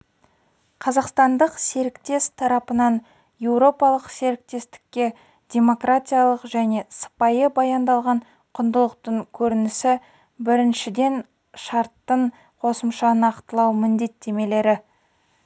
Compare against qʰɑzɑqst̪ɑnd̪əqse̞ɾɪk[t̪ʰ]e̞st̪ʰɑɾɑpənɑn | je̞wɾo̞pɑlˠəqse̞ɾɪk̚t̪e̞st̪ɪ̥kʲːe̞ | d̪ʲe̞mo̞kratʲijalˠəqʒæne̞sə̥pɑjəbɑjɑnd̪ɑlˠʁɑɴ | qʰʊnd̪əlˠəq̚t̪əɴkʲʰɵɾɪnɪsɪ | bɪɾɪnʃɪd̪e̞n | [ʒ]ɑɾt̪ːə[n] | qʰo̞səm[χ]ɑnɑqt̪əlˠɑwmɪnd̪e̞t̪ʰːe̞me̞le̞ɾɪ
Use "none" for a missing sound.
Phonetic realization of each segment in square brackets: t̪, ʃ, ɴ, ʃ

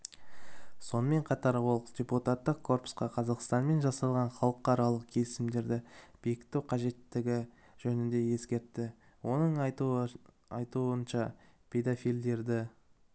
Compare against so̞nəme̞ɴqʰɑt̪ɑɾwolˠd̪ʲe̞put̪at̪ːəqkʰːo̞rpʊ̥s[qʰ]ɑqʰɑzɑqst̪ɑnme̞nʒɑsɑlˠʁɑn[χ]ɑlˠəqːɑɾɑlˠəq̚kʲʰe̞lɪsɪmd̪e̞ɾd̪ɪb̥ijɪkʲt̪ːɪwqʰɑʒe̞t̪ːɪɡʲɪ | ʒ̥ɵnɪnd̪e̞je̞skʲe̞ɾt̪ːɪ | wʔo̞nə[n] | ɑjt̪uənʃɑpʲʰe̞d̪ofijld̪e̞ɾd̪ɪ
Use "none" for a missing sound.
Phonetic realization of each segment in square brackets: q, χ, ɴ

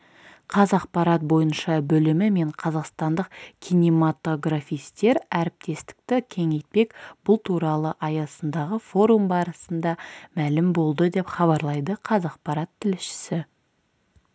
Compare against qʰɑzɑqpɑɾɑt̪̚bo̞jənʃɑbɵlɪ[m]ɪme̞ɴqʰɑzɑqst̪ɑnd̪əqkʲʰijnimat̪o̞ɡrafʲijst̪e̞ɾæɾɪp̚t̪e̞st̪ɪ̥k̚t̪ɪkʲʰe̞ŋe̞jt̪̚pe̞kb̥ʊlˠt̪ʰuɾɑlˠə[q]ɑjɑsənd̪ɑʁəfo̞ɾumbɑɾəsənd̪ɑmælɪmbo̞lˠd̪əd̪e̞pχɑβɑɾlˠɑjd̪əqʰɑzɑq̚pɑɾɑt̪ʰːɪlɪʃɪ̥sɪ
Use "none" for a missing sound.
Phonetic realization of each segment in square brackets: m, ʔ

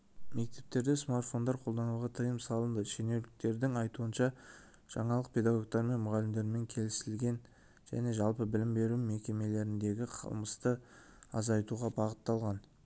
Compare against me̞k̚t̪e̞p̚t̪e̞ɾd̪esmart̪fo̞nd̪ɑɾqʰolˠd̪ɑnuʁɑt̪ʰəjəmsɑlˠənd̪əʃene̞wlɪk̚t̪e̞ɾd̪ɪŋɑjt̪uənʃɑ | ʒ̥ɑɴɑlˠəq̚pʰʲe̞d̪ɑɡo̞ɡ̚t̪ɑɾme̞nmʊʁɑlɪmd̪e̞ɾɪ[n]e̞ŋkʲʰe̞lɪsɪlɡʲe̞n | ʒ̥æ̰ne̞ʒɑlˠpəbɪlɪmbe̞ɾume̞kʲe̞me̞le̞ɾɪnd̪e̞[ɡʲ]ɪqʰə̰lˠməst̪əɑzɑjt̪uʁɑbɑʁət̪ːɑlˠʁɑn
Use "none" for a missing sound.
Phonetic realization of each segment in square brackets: m, ɡʲ

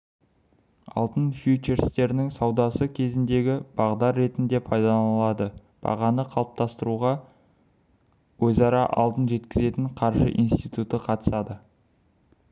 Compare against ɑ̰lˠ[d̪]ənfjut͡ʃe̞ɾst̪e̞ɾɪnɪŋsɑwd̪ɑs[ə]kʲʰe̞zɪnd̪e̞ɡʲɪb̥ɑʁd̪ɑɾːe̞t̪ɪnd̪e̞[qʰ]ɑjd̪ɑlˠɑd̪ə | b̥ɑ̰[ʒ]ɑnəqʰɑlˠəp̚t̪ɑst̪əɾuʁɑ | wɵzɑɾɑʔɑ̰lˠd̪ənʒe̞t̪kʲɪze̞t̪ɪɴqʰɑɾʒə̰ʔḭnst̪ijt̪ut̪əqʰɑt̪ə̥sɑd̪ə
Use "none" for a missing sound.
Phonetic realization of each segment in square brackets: t̪, ə, pʰ, ʁ

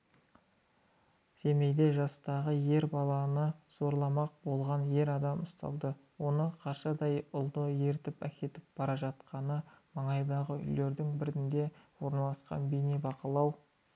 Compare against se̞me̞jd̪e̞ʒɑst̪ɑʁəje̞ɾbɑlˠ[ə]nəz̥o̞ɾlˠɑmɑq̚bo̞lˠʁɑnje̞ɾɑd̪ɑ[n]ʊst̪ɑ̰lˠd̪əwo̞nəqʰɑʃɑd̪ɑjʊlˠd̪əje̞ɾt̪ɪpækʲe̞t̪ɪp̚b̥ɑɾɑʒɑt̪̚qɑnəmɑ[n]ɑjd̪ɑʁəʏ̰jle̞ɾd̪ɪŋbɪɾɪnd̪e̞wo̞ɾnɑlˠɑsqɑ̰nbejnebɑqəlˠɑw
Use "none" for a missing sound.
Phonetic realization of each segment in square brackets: ɑ, m, ɴ

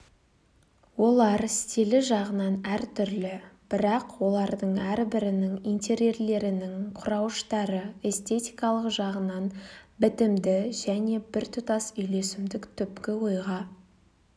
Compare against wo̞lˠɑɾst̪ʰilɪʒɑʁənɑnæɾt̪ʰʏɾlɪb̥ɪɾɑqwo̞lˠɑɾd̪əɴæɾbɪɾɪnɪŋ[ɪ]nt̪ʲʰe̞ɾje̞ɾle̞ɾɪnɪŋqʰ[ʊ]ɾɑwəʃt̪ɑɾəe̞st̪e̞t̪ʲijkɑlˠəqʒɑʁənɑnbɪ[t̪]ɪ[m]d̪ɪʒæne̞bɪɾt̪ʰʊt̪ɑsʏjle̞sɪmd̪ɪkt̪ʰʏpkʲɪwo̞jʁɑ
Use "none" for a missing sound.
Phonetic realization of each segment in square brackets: i, ʊ, t̪, m

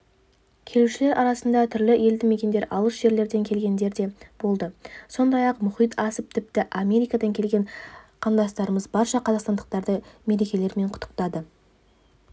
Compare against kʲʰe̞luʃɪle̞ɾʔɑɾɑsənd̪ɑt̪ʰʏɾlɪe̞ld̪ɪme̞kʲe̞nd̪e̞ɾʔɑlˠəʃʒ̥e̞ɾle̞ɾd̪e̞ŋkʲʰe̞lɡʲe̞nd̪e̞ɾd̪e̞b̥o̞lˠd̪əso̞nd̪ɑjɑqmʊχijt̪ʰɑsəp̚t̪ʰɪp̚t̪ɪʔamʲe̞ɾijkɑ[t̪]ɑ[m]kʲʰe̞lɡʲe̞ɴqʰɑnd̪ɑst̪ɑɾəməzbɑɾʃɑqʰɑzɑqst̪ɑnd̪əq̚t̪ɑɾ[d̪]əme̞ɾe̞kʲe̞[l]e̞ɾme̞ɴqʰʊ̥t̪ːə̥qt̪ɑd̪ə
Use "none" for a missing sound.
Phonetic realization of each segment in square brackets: d̪, ŋ, d̪, l

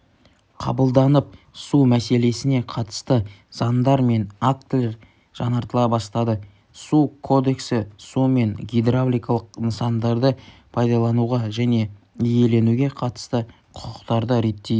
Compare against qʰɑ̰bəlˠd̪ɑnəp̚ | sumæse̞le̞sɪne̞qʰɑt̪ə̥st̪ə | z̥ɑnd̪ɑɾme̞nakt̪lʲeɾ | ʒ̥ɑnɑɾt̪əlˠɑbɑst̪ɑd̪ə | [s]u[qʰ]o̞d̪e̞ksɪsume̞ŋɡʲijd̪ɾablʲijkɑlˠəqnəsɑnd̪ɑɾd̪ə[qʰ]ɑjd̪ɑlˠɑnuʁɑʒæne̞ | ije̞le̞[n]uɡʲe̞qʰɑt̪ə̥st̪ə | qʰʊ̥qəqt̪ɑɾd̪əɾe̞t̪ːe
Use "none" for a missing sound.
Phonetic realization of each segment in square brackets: s, kʰ, pʰ, n

